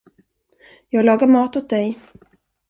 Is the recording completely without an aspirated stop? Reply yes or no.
yes